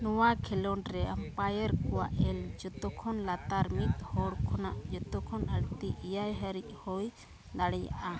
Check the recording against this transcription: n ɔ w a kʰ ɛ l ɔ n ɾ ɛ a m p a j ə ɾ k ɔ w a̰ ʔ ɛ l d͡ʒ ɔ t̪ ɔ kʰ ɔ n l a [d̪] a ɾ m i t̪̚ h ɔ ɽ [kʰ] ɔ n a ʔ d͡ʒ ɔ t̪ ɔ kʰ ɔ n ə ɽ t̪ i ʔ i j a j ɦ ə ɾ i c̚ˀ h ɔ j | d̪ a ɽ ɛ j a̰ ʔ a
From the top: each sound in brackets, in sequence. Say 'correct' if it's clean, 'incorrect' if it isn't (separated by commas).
incorrect, correct